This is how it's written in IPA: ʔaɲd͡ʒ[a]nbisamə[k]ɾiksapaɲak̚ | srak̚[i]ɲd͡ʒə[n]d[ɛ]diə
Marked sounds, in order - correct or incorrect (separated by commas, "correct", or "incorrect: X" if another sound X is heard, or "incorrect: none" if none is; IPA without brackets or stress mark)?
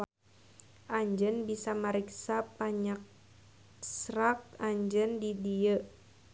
incorrect: ə, incorrect: none, incorrect: a, correct, incorrect: i